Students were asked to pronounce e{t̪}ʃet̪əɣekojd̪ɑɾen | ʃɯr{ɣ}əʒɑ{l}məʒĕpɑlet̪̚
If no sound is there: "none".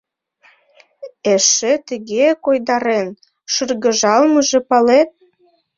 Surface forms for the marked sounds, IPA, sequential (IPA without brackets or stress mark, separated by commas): none, ɣ, l